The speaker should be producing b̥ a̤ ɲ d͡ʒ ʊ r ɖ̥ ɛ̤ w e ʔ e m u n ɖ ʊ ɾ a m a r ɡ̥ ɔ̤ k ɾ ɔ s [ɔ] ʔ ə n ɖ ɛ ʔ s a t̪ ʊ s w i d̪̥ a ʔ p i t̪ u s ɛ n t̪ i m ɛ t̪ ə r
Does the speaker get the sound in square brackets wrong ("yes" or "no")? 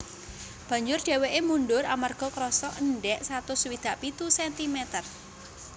no